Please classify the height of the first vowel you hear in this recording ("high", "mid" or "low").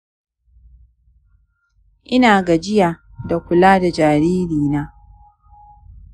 high